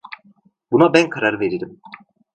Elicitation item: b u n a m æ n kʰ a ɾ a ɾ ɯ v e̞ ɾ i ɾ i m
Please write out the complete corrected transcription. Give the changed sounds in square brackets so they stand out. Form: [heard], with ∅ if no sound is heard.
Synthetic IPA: b u n a [b] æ n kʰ a ɾ a ɾ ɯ v e̞ ɾ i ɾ i m

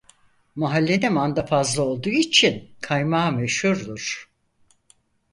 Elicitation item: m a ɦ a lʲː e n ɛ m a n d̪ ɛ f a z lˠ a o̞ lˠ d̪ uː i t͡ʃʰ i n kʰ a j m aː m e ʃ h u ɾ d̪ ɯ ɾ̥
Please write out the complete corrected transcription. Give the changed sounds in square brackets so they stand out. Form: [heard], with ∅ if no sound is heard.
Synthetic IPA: m a ɦ a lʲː e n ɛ m a n d̪ [a] f a z lˠ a o̞ lˠ d̪ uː i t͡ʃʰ i n kʰ a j m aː m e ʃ h u ɾ d̪ [u] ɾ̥

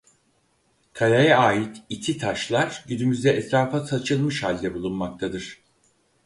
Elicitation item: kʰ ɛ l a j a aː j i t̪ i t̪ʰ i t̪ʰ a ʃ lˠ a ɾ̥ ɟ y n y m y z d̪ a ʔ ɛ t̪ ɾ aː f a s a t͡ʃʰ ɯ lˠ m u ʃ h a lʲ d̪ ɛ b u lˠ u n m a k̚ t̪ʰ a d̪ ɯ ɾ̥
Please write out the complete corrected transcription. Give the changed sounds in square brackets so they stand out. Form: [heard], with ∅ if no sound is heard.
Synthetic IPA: kʰ [a] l a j a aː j i t̪ i t̪ʰ i t̪ʰ a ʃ lˠ a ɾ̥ ɟ y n y m y z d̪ [ɛ] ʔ ɛ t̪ ɾ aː f a s a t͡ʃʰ ɯ lˠ m [ɯ] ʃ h a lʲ d̪ ɛ b u lˠ u n m a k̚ t̪ʰ a d̪ ɯ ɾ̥

